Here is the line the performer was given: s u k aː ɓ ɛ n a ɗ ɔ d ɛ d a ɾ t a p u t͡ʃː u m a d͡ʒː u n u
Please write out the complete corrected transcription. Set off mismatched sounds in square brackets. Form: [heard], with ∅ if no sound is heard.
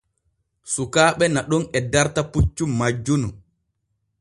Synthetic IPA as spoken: s u k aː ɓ ɛ n a ɗ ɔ [n] ɛ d a ɾ t a p u t͡ʃː u m a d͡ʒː u n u